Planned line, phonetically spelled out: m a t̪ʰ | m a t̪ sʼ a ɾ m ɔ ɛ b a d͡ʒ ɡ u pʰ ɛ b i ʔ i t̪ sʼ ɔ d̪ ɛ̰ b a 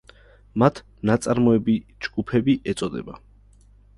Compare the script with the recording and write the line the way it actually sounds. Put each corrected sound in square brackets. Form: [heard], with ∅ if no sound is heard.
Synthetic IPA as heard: m a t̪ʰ | [n] a t̪ sʼ a ɾ m ɔ ɛ b [i] d͡ʒ ɡ u pʰ ɛ b i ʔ [ɛ] t̪ sʼ ɔ d̪ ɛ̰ b a